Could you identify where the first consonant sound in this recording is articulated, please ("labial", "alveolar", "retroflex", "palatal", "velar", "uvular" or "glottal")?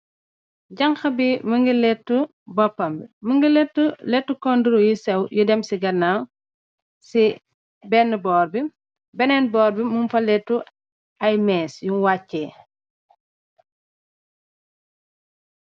palatal